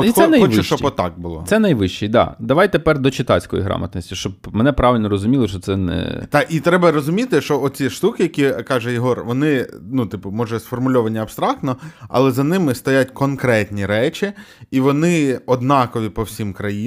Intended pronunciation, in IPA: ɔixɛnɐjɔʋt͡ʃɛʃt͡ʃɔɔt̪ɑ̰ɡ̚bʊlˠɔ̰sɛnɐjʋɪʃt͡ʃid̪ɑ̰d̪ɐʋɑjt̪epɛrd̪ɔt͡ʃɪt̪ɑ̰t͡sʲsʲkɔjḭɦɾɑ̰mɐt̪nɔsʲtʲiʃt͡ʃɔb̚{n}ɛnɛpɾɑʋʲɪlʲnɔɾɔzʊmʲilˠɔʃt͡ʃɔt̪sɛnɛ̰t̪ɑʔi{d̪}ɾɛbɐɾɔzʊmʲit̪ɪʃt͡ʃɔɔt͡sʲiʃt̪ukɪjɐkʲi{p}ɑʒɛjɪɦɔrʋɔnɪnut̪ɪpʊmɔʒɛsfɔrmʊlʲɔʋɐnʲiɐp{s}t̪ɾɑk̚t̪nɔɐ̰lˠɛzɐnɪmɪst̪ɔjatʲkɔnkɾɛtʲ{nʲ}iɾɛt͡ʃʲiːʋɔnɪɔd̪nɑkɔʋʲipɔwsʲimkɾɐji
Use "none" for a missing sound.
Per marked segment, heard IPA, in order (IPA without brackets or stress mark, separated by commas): m, t̪, k, s, nʲ